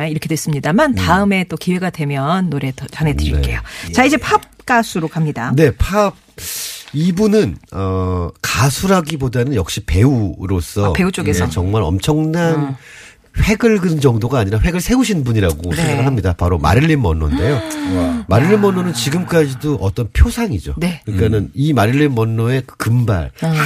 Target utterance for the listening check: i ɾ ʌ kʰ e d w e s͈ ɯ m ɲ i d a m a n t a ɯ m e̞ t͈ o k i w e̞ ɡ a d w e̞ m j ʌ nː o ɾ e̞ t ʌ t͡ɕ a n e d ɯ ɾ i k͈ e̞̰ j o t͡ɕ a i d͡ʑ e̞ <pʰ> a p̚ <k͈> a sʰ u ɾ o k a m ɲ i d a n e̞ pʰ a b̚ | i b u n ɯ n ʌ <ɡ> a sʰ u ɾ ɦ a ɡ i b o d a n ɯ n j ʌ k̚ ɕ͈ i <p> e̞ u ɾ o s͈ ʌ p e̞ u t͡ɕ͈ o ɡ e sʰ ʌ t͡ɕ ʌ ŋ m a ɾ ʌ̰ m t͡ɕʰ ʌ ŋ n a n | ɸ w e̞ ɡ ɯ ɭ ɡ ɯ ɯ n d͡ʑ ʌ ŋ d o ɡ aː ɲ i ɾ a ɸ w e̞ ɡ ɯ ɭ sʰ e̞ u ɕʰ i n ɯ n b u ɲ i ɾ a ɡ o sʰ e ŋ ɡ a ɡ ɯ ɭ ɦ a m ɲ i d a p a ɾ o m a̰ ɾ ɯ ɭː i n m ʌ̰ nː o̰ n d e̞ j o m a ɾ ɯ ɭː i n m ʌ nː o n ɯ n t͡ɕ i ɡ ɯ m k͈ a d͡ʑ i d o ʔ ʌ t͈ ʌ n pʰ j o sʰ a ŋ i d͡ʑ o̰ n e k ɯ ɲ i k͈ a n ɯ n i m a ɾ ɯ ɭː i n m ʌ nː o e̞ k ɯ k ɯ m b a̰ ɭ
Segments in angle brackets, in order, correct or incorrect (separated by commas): correct, correct, incorrect, correct